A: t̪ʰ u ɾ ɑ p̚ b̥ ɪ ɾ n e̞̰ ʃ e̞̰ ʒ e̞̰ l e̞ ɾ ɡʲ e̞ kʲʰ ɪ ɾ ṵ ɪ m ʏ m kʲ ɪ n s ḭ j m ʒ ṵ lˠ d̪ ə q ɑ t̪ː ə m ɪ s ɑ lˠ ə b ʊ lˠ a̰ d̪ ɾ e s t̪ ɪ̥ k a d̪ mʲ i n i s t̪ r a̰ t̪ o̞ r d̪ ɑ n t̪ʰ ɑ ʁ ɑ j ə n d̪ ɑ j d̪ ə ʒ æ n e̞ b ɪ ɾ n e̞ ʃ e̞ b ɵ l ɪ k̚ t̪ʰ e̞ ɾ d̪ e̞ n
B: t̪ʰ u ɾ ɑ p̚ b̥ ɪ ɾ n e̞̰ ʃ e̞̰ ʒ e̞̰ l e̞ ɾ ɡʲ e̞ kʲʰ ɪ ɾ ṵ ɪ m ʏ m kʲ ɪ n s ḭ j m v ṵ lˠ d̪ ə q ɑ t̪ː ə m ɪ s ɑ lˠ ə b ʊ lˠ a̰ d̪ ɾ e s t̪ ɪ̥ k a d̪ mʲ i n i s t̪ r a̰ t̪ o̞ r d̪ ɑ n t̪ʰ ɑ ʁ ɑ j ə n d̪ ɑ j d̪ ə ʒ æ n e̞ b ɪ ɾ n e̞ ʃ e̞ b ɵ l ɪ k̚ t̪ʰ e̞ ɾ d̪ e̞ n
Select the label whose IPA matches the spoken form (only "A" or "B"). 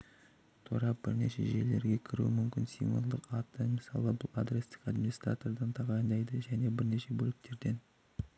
B